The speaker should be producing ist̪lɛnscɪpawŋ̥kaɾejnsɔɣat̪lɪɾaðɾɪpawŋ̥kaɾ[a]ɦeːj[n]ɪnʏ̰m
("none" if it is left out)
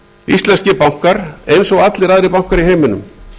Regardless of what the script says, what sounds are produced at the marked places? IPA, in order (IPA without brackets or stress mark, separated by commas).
i, m